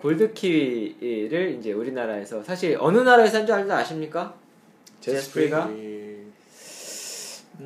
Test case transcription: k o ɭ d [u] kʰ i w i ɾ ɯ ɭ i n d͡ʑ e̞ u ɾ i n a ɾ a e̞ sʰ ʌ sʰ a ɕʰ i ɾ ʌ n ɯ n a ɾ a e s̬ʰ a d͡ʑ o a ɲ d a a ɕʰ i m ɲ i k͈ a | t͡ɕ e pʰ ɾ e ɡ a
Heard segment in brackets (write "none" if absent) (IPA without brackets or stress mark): ɯ